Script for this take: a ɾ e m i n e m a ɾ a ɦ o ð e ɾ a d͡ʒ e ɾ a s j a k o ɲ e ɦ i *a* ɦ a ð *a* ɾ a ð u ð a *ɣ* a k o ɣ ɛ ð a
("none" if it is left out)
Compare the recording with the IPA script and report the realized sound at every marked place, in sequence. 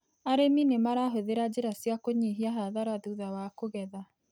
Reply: a, a, w

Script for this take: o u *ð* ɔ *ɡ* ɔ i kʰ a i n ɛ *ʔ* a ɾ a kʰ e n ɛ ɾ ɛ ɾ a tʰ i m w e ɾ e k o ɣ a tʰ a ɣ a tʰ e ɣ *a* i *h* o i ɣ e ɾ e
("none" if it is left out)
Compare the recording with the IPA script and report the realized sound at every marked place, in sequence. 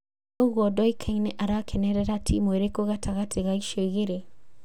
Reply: ɣ, d, ʔ, a, ʃ

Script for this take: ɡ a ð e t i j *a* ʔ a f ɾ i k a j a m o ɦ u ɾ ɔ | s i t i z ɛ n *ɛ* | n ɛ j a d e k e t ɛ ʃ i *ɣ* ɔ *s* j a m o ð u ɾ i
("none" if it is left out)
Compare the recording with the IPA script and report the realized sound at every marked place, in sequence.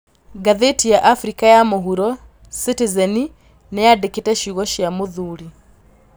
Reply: a, i, ɣ, ʃ

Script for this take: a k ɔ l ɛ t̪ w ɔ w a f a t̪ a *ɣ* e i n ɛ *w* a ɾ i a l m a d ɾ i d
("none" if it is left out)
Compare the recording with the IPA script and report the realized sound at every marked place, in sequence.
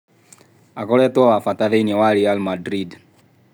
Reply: ð, w

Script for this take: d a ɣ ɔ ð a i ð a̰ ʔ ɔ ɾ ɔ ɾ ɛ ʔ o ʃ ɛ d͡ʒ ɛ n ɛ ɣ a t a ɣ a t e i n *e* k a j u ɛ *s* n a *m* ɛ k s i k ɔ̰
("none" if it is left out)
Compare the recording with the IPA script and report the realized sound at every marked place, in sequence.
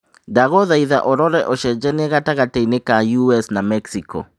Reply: e, s, m

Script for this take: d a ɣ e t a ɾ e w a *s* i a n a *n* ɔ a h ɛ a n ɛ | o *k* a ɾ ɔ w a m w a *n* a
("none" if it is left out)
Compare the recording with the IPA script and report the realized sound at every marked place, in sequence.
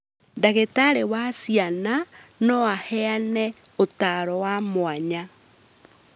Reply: s, n, t, ɲ

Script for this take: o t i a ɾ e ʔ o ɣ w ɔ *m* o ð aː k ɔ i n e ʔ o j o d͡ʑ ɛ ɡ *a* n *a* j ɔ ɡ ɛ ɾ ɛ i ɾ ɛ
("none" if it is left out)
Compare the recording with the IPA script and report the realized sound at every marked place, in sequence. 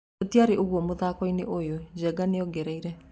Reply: m, a, e

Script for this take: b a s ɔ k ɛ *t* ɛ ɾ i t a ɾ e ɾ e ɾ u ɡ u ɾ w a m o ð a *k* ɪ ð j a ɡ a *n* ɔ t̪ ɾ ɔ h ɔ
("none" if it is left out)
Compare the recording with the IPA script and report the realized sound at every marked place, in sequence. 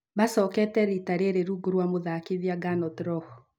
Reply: t, k, n

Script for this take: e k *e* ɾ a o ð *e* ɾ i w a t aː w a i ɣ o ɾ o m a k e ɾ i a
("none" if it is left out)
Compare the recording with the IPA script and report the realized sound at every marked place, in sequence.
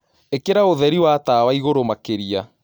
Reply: e, ɛ

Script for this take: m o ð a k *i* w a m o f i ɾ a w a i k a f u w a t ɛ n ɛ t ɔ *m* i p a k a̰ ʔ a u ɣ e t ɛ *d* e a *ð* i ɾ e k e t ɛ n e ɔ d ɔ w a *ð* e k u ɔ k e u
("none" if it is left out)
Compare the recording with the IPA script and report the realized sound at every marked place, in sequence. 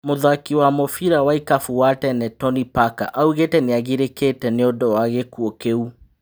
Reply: i, n, n, ɣ, ɣ

